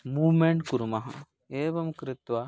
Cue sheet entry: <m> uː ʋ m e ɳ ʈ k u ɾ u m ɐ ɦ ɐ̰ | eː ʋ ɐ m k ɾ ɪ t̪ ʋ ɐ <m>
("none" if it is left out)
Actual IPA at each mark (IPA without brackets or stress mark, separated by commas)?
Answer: m, none